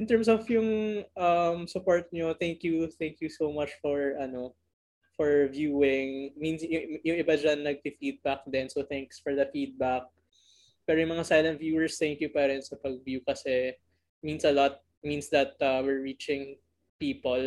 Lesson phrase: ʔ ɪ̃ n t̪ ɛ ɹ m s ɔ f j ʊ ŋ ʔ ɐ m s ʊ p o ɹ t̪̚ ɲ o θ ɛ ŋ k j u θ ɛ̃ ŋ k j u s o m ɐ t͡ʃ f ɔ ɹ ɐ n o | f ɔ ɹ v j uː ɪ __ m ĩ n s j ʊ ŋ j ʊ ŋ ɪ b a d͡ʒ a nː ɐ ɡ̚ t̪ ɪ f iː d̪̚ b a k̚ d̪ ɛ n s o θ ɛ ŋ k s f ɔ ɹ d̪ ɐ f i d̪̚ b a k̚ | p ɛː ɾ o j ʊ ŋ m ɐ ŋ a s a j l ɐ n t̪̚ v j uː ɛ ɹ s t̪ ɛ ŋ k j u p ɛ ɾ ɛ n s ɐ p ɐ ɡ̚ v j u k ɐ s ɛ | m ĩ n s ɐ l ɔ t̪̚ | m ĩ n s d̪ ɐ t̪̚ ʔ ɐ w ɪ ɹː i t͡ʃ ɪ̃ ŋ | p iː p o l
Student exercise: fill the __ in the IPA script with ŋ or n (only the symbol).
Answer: ŋ